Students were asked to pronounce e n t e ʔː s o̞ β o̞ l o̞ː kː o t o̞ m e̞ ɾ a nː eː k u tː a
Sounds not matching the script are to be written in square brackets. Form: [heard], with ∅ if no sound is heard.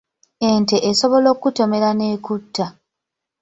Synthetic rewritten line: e n t e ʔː s o̞ β o̞ l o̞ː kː [u] t o̞ m e̞ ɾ a [n] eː k u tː a